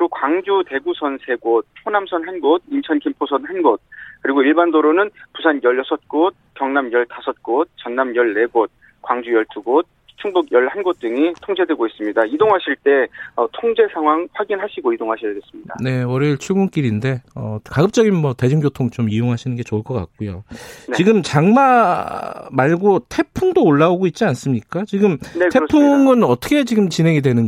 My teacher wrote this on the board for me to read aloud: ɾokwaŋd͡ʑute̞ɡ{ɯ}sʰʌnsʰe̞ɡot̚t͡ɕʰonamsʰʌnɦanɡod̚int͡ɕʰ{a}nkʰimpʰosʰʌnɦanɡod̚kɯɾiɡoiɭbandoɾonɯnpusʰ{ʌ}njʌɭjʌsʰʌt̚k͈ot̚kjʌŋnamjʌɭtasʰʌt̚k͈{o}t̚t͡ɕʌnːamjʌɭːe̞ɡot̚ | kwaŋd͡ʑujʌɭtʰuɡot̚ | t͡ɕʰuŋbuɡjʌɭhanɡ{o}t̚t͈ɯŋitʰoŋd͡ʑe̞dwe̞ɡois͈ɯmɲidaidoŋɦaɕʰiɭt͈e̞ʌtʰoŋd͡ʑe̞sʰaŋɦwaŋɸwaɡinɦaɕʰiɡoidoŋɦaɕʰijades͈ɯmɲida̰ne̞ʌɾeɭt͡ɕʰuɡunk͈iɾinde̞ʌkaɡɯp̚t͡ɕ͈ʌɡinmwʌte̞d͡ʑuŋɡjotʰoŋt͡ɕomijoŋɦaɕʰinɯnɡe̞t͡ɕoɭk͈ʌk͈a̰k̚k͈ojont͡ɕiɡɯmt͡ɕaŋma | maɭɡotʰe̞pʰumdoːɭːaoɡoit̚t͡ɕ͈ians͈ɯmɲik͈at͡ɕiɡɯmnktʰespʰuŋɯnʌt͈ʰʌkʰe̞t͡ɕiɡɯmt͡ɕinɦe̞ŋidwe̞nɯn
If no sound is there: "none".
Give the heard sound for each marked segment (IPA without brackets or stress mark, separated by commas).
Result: u, ʌ, a, o, o